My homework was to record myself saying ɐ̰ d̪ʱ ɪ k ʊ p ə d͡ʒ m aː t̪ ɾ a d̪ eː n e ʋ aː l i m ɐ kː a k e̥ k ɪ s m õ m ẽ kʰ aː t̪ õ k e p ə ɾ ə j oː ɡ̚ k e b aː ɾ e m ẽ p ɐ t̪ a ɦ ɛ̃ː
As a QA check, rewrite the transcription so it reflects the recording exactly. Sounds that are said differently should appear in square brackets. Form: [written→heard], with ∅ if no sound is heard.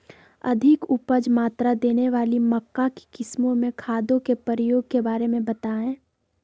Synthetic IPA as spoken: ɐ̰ d̪ʱ ɪ k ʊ p ə d͡ʒ m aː t̪ ɾ a d̪ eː n e ʋ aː l i m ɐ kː a k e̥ k ɪ s m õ m ẽ kʰ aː [t̪→d̪] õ k e p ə ɾ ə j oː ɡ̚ k e b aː ɾ e m ẽ [p→b] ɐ t̪ a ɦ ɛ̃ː

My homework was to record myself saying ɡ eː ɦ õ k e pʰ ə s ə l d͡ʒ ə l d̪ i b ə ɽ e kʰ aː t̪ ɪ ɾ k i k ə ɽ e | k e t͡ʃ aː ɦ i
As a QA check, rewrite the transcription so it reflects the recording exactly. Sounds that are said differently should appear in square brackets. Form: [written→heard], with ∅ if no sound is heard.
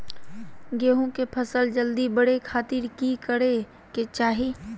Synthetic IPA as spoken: ɡ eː ɦ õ k e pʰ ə s ə l d͡ʒ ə l d̪ i b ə ɽ e kʰ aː t̪ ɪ ɾ k i k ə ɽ e | k e t͡ʃ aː ɦ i

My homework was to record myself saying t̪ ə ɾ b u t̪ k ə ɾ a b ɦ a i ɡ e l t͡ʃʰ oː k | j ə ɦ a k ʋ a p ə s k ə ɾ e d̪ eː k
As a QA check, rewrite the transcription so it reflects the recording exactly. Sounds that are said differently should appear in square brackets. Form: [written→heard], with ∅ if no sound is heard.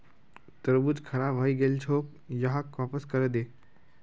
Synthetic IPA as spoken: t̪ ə ɾ b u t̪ [k→kʰ] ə ɾ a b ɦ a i ɡ e l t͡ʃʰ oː k | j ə ɦ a k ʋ a p ə s k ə ɾ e d̪ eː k

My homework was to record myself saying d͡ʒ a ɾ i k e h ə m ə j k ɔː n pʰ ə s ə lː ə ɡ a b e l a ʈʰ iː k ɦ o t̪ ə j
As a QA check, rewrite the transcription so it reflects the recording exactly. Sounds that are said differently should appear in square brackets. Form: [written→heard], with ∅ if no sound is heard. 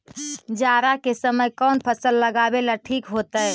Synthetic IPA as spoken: d͡ʒ a ɾ [i→a] k e [h→s] ə m ə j k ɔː n pʰ ə s ə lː ə ɡ a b e l a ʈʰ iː k ɦ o t̪ ə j

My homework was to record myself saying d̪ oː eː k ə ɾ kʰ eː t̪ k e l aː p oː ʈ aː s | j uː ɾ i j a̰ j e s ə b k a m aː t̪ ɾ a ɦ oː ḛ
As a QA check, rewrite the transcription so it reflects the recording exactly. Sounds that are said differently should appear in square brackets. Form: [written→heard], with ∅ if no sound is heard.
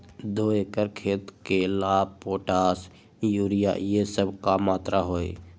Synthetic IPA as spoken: d̪ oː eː k ə ɾ kʰ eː t̪ k e l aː p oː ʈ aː s | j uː ɾ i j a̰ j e s ə b k a m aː t̪ ɾ a ɦ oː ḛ

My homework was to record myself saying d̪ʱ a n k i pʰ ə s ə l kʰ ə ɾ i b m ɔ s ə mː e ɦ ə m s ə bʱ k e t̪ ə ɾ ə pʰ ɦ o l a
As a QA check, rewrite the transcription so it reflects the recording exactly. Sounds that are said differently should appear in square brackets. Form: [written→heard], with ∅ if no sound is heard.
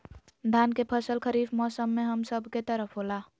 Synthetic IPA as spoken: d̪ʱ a n k [i→e] pʰ ə s ə l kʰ ə ɾ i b m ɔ s ə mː e ɦ ə m s ə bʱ k e t̪ ə ɾ ə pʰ ɦ o l a

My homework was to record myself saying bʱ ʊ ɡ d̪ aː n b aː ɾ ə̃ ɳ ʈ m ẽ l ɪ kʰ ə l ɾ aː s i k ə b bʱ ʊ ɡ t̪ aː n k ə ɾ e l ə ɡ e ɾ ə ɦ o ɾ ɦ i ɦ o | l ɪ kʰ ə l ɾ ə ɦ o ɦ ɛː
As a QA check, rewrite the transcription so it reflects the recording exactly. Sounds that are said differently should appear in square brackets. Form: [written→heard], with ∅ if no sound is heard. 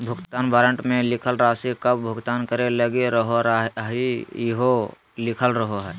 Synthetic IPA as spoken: bʱ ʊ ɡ [d̪→t̪] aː n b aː ɾ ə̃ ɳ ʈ m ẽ l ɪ kʰ ə l ɾ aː s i k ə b bʱ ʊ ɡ t̪ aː n k ə ɾ e l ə ɡ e ɾ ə ɦ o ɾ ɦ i ɦ o | l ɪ kʰ ə l ɾ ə ɦ o ɦ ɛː

